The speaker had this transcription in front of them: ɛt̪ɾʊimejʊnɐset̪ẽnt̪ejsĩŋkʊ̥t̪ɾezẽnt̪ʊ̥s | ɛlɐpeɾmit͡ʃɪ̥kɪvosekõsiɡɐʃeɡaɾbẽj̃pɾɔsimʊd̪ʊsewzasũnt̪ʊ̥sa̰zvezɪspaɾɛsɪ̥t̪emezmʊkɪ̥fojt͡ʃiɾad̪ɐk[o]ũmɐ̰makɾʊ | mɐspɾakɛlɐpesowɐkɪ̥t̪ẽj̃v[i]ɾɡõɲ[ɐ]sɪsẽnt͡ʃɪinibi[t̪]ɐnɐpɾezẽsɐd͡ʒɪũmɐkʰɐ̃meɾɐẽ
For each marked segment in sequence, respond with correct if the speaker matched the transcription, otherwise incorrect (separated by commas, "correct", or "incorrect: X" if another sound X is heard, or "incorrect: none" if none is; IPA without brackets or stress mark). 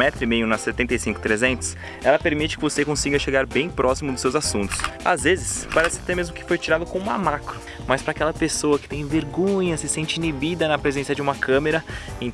incorrect: õ, incorrect: e, correct, incorrect: d̪